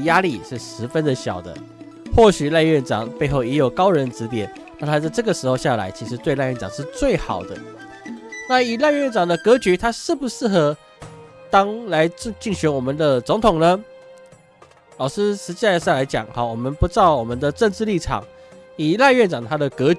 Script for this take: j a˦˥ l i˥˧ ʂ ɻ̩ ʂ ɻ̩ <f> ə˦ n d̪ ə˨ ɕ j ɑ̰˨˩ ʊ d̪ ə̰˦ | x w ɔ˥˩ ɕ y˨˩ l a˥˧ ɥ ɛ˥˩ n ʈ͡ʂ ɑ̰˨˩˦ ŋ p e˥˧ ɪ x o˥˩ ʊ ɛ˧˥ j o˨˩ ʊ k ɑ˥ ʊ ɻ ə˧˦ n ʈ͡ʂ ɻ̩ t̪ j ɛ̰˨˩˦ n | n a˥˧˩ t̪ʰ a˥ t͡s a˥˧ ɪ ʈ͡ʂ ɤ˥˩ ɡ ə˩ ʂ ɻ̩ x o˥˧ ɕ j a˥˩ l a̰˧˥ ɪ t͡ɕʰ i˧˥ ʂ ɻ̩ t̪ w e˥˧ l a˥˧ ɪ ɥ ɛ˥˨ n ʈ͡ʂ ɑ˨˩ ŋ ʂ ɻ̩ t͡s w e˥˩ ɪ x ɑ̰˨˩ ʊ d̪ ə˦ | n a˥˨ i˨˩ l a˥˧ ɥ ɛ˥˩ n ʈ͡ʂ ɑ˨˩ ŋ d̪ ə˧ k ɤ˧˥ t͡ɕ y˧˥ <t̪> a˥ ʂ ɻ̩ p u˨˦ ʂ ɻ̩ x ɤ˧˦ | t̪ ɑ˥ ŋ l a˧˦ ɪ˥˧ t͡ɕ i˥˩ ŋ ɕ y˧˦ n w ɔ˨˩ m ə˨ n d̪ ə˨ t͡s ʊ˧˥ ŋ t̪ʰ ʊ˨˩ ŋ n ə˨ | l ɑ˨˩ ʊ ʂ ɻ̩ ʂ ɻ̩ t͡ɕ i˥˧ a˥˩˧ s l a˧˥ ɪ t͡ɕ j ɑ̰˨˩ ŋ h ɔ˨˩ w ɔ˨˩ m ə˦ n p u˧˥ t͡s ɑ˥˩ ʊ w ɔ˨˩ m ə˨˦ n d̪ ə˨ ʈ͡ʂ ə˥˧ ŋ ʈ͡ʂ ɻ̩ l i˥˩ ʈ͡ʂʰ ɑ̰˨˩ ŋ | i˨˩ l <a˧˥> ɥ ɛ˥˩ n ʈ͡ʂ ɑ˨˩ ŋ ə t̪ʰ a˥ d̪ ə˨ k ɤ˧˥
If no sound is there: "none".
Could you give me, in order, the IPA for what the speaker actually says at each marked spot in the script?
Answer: f, t̪ʰ, a˥˧

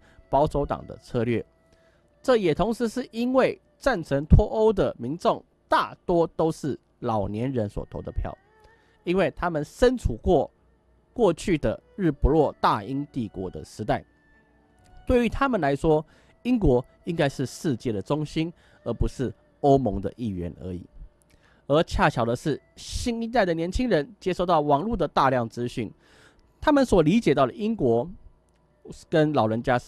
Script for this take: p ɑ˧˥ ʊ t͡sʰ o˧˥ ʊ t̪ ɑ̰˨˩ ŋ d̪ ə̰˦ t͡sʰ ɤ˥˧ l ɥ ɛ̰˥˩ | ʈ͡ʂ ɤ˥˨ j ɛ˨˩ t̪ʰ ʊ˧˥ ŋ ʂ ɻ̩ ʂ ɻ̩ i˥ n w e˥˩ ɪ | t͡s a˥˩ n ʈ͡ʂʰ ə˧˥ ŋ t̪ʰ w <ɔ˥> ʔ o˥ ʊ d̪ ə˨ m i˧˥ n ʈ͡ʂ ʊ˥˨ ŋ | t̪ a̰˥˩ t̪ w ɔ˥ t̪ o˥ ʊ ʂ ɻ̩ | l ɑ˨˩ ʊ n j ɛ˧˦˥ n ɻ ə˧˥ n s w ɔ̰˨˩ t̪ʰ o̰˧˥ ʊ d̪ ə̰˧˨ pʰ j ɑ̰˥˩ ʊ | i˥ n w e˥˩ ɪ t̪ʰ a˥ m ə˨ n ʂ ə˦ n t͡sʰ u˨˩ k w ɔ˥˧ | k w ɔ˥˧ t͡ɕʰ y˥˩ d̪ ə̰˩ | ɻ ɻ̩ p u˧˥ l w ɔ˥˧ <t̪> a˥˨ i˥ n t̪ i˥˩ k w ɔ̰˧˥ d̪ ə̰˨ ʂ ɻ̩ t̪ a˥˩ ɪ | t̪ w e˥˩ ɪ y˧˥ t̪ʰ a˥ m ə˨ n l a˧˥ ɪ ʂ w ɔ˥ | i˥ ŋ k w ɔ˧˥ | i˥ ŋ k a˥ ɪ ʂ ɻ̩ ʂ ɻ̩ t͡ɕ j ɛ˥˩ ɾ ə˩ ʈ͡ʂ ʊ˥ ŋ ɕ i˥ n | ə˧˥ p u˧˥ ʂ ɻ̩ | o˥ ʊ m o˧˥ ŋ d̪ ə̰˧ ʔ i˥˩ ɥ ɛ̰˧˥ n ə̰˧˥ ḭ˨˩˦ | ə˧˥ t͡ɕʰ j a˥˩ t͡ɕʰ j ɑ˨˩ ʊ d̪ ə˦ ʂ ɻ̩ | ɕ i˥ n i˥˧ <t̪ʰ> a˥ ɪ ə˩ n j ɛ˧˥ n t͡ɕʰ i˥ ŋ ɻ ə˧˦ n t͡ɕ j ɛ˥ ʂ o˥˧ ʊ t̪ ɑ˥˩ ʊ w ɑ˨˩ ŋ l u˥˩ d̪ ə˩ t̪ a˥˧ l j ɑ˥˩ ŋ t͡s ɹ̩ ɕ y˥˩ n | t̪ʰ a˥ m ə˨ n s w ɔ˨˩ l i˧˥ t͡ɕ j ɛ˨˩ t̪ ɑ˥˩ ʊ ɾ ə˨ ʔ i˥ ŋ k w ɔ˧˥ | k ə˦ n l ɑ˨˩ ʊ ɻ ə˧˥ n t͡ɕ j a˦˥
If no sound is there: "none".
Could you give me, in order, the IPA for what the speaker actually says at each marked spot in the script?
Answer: ɔ˥, t̪, t̪

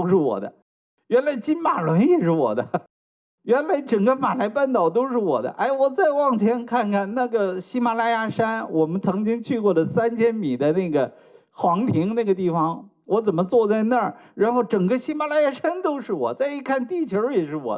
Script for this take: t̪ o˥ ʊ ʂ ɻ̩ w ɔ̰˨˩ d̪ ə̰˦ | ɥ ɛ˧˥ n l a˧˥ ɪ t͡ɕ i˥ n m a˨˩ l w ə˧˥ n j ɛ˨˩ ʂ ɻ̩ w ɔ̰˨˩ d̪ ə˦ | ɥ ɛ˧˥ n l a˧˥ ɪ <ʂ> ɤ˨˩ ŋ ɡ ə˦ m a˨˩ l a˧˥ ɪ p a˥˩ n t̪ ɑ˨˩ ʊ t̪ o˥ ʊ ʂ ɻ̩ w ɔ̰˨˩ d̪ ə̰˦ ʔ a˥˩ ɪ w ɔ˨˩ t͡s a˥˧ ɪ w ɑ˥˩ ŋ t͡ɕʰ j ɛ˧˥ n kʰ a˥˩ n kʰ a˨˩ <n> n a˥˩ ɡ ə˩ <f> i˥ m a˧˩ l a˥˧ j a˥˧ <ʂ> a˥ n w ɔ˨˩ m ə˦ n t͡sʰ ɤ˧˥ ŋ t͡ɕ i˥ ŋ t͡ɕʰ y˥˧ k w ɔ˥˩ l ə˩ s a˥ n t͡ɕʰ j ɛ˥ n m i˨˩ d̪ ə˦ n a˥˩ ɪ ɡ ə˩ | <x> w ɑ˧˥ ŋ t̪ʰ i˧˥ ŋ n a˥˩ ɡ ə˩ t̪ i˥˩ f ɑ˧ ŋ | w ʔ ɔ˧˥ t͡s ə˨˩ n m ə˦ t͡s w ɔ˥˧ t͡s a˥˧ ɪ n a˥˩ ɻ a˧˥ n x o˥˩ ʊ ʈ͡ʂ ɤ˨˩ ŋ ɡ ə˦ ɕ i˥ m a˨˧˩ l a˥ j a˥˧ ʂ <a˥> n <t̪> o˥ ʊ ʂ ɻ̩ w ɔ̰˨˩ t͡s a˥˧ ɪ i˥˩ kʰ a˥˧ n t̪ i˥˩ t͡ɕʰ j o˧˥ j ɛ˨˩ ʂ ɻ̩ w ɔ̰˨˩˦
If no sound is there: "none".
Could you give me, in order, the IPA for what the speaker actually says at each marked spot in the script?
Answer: ʈ͡ʂ, n, ɕ, ʂ, x, a˥, t̪

